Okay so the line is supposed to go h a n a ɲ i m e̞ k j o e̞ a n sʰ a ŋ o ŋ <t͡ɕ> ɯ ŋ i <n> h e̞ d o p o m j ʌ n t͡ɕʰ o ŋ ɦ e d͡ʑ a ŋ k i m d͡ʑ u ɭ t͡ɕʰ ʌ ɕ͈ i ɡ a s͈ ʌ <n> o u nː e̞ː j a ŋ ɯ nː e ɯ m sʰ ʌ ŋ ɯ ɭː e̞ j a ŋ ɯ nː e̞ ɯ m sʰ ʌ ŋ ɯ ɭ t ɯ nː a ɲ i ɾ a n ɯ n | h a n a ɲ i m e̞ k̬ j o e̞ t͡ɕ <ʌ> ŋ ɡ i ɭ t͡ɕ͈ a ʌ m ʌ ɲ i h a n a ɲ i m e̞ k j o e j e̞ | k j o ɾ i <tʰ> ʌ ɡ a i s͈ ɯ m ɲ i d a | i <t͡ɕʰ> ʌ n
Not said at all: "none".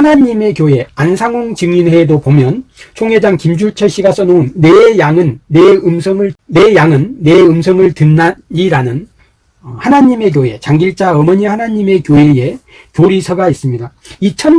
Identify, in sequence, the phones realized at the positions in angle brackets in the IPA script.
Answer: t͡ɕ, n, n, a, sʰ, t͡ɕʰ

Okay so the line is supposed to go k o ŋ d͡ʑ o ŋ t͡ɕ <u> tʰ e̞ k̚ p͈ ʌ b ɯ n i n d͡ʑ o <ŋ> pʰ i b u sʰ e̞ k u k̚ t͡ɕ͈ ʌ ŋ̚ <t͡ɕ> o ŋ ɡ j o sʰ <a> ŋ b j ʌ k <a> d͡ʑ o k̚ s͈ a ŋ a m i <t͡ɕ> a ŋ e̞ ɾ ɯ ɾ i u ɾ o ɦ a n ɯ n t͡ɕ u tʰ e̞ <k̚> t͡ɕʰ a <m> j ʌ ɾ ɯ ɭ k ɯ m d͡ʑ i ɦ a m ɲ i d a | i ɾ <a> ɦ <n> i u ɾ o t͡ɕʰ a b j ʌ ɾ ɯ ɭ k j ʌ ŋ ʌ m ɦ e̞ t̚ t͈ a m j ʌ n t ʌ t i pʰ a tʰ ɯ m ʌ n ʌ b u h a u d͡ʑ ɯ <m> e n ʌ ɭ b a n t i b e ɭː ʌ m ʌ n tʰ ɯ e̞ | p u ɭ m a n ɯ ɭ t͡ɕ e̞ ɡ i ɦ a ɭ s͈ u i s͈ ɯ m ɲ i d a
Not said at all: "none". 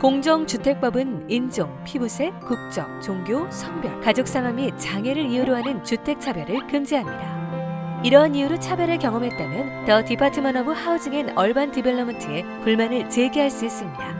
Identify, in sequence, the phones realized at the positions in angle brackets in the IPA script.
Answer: u, ŋ, t͡ɕ, ʌ, a, t͡ɕ, k̚, b, ʌ, n, ŋ

